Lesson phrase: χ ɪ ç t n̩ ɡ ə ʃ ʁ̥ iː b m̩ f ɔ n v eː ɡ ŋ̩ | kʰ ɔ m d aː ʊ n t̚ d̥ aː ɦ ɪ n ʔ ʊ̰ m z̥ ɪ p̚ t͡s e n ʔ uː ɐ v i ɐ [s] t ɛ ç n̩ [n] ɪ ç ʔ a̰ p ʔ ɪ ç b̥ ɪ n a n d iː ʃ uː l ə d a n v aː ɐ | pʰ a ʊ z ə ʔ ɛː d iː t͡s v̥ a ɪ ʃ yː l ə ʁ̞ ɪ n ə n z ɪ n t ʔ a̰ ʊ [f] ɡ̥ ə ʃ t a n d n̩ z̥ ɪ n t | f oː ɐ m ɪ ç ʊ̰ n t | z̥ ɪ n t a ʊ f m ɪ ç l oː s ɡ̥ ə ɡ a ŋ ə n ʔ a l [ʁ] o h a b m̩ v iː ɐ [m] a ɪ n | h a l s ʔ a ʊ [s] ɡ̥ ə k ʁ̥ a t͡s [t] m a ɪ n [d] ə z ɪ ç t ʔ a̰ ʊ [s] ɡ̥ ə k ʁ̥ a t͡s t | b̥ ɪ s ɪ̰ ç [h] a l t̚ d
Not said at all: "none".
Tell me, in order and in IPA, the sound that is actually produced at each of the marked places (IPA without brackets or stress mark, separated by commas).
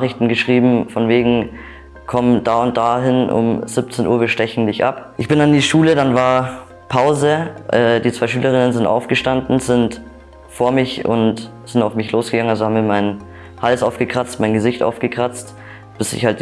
ʃ, d, f, z, m, f, t, ɡ, f, h